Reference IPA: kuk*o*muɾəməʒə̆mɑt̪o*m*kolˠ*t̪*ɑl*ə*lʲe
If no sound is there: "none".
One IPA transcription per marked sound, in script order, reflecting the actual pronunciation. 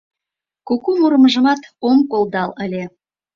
u, m, d̪, ə

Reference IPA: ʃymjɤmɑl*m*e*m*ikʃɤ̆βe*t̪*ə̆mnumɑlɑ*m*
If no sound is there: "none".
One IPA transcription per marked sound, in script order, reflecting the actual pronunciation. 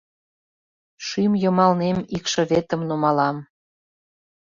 n, m, t̪, m

